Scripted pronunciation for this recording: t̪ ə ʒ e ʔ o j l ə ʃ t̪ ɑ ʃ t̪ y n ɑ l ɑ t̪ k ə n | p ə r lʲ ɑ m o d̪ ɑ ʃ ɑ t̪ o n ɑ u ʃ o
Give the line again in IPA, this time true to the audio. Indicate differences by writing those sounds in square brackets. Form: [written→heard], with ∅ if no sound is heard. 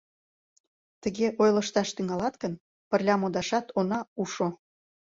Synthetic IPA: t̪ ə [ʒ→ɣ] e ʔ o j l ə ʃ t̪ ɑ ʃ t̪ y [n→ŋ] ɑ l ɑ t̪ k ə n | p ə r lʲ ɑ m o d̪ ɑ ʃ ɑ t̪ o n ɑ u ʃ o